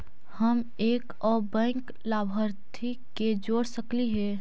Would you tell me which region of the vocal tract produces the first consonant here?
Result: throat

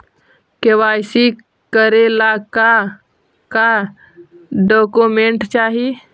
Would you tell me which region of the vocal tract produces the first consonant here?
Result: velum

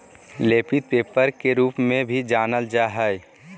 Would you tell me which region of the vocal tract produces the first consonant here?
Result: tongue tip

